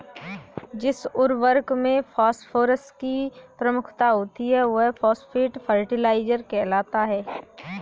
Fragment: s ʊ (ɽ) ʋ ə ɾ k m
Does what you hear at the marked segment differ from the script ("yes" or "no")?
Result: yes